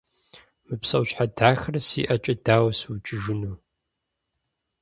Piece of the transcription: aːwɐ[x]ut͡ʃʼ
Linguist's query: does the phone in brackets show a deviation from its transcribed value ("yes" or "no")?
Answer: yes